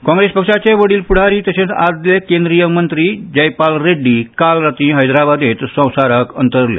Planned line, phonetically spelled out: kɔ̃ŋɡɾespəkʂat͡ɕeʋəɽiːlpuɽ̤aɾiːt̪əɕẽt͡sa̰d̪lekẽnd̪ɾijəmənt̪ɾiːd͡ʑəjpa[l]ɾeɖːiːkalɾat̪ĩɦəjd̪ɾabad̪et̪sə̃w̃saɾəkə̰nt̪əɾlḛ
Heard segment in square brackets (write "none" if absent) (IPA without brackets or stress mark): l